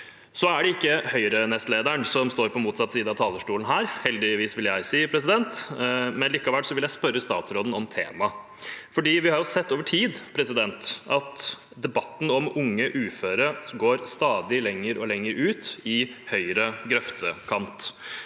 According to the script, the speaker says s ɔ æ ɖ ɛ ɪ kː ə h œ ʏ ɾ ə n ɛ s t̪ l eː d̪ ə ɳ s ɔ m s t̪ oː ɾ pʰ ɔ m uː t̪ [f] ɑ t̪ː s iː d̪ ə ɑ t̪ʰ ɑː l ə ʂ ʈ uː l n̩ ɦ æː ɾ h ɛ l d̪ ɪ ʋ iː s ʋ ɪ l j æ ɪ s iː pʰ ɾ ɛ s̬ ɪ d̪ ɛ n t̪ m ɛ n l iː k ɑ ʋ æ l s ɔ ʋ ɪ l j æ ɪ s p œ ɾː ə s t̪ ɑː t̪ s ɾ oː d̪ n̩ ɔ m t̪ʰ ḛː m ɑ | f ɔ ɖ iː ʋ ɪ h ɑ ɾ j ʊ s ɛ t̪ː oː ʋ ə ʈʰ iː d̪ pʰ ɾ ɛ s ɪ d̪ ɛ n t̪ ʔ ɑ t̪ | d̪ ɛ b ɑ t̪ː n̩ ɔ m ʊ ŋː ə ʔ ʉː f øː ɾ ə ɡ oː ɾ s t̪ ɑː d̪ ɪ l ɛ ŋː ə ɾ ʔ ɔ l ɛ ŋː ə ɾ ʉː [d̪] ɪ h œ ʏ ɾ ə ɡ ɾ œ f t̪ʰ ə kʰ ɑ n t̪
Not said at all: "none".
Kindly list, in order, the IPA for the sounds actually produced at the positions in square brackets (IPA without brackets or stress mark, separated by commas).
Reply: s, t̪